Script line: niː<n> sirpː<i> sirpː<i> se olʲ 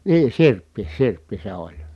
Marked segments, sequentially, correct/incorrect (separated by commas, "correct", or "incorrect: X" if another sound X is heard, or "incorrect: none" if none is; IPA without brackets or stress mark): incorrect: none, correct, correct